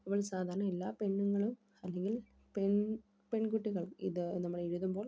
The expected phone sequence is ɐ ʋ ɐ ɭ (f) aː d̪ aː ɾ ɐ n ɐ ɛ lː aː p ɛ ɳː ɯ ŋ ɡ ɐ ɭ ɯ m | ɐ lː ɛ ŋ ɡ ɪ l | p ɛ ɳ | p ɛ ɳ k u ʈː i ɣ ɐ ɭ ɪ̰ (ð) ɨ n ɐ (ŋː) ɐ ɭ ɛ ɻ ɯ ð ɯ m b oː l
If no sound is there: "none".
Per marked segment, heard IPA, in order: s, ð, mː

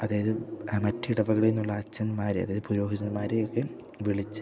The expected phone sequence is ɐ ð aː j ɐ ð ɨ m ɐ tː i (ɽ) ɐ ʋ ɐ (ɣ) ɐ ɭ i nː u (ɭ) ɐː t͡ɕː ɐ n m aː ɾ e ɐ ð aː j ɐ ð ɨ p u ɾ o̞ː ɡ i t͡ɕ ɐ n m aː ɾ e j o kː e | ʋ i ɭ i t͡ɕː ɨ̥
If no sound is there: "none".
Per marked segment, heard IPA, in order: ɽ, ɣ, ɭː

